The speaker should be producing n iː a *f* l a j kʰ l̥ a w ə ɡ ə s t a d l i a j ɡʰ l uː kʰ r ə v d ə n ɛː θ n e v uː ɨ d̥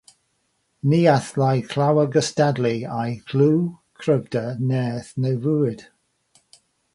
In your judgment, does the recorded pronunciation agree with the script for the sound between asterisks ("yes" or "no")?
no